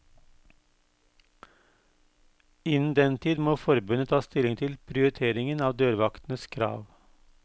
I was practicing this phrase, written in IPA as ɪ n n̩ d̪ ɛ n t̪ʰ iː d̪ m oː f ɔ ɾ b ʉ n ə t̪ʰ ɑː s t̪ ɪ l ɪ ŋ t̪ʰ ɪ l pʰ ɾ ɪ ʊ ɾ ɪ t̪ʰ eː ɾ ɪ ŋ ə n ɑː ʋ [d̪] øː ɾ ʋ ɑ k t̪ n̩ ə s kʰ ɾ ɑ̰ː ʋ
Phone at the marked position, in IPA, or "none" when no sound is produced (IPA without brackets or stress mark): d̪